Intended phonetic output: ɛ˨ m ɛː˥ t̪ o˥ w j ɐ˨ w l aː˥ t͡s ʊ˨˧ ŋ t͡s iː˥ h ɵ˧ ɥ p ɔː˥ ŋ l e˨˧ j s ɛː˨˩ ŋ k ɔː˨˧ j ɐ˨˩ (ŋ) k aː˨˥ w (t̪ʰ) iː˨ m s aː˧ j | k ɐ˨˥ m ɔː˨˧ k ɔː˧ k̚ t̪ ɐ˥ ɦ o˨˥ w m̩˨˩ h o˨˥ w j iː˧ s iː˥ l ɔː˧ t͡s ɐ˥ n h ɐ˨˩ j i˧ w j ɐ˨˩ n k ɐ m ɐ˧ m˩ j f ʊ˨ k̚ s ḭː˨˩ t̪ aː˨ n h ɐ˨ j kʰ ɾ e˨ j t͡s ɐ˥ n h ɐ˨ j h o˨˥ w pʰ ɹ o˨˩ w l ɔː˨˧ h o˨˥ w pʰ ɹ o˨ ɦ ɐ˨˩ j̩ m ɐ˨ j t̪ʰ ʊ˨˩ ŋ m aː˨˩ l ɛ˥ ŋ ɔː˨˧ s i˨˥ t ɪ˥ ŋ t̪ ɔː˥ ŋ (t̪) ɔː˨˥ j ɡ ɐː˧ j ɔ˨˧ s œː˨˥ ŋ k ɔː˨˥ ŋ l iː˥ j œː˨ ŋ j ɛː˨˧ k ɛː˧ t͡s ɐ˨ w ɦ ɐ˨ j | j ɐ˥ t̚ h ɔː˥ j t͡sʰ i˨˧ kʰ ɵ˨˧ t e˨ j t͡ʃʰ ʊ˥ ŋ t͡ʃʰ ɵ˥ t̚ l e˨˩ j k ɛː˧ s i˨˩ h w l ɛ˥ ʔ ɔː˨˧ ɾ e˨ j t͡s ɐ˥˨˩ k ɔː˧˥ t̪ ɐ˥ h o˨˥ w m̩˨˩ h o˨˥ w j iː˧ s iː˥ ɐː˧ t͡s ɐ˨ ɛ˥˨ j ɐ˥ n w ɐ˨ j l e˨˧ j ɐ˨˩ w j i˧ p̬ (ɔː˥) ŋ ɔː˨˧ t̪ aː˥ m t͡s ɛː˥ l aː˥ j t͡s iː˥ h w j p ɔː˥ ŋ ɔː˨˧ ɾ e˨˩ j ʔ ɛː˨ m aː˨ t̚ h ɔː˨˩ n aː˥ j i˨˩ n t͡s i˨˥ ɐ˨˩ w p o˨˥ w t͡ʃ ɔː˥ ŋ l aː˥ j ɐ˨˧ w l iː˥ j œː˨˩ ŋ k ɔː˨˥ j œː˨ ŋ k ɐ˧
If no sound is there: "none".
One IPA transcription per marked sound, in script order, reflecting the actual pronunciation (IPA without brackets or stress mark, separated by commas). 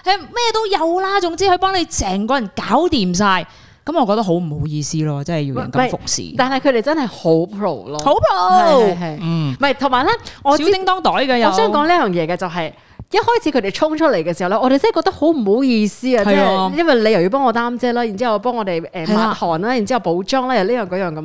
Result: n, t̪, t̪, ɔː˥